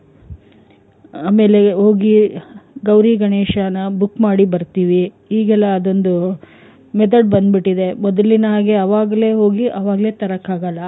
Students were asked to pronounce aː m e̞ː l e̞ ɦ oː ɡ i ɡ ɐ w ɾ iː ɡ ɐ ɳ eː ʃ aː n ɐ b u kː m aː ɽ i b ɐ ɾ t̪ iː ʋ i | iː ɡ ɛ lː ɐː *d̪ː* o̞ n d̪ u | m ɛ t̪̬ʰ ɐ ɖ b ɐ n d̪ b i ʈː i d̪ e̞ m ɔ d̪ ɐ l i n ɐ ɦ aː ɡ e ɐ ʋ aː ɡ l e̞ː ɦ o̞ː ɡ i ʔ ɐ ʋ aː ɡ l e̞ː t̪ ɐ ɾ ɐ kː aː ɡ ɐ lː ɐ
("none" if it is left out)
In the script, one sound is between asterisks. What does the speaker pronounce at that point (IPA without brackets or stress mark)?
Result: d̪